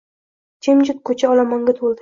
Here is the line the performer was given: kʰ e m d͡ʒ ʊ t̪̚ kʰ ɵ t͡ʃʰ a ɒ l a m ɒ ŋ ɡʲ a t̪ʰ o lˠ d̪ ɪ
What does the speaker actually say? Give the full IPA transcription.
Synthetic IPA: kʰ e m d͡ʒ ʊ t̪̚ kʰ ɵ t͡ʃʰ a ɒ l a m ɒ ŋ ɡʲ a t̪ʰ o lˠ d̪ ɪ